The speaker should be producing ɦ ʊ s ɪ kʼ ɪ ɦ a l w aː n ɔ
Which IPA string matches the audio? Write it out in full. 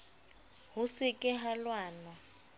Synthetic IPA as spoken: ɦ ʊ s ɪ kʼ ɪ ɦ a l w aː n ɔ